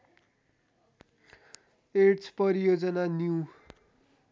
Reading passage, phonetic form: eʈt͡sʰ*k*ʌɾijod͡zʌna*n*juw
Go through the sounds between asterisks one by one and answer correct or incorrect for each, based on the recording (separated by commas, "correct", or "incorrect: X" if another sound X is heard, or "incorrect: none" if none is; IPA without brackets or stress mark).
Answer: incorrect: p, correct